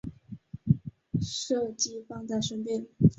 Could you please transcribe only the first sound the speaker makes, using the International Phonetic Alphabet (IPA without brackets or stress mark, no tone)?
ʂ